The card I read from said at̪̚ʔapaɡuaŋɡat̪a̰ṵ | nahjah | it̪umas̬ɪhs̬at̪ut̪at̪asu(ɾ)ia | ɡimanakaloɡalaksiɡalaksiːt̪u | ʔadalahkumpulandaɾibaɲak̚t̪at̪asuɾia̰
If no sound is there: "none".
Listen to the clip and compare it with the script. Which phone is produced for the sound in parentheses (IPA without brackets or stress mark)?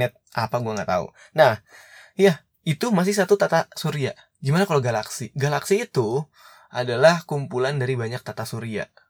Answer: ɾ